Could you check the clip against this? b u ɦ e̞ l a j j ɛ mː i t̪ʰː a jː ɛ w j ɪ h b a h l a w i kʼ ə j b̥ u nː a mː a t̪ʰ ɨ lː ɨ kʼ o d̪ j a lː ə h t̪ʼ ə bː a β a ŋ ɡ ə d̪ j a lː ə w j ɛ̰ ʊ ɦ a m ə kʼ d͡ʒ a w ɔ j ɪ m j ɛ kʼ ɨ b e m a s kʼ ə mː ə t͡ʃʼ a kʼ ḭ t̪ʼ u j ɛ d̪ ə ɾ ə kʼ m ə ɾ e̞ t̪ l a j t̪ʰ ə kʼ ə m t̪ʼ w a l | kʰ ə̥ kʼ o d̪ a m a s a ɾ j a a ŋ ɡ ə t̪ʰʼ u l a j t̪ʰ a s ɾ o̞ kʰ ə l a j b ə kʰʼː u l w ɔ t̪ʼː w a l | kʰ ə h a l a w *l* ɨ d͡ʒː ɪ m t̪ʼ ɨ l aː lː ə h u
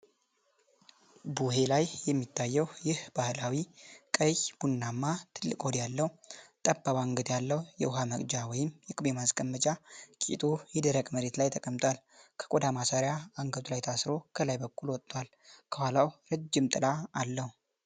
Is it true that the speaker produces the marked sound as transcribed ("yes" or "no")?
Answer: no